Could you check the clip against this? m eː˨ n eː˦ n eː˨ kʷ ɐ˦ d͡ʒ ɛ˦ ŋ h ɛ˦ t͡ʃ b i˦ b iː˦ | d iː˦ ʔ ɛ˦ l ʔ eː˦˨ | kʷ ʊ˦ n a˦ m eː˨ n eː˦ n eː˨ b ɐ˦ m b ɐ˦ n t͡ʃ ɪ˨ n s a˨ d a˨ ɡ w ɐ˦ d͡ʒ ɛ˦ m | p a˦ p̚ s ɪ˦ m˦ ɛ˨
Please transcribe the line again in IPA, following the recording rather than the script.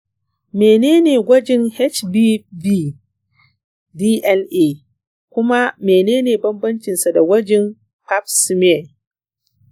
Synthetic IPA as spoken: m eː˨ n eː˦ n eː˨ ɡʷ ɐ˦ d͡ʒ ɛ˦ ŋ h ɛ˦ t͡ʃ b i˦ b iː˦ | d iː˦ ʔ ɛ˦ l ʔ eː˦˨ | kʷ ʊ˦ m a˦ m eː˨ n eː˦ n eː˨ b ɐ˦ m b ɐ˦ n t͡ʃ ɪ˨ n s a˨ d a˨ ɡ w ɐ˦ d͡ʒ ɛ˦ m | p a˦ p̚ s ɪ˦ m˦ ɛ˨